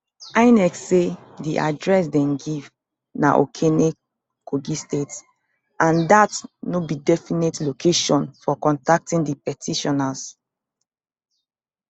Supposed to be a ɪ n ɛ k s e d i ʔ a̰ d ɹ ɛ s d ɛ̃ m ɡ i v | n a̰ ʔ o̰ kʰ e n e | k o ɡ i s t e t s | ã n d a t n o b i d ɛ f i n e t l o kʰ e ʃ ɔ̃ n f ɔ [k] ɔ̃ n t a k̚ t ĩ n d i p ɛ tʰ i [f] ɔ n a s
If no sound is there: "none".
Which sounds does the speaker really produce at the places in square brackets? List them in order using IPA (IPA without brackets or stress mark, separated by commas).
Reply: k, ʃ